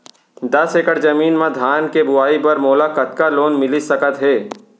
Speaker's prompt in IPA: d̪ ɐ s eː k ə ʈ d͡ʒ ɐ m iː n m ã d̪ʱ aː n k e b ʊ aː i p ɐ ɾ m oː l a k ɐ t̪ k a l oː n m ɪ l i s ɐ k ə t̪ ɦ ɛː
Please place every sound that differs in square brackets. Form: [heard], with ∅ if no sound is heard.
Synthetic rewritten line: d̪ ɐ s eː k ə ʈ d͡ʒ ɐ m iː n m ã d̪ʱ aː n k e b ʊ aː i p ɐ ɾ m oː l a k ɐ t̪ k a l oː n m ɪ l i s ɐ k ə t̪ ɦ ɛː